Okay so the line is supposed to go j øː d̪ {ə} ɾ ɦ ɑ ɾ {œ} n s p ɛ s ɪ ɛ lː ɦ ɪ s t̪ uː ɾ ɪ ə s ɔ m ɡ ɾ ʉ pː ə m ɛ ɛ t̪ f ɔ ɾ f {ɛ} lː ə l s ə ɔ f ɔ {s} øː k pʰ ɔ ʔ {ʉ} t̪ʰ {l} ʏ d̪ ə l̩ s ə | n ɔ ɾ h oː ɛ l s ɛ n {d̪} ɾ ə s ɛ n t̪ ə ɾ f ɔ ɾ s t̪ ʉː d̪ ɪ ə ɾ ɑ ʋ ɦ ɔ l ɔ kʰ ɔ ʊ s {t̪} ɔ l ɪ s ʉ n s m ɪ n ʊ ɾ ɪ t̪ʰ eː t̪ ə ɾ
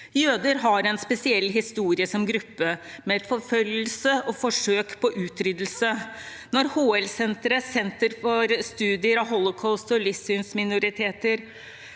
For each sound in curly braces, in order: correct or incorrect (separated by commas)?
correct, incorrect, incorrect, incorrect, incorrect, incorrect, incorrect, correct